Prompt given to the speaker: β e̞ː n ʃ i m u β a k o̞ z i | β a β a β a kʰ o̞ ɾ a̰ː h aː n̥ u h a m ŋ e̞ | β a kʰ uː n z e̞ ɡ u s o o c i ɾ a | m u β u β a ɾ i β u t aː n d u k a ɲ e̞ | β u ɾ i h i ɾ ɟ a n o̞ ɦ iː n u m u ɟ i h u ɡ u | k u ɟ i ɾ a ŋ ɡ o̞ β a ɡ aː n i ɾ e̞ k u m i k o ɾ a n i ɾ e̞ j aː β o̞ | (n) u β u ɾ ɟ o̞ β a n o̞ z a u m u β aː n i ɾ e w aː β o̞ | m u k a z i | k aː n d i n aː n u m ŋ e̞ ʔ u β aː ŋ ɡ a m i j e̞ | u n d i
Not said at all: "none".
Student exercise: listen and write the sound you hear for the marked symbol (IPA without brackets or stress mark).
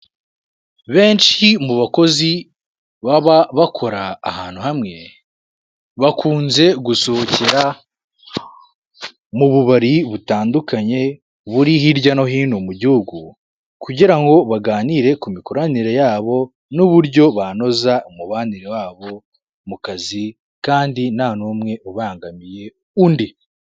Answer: n